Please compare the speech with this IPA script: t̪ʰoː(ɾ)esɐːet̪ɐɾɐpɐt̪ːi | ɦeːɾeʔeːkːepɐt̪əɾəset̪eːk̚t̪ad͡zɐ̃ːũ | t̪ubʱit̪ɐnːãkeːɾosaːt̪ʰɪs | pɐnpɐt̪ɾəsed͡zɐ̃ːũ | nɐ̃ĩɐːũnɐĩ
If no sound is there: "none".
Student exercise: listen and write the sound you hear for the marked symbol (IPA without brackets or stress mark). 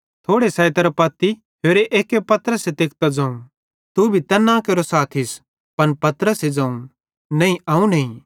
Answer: ɽ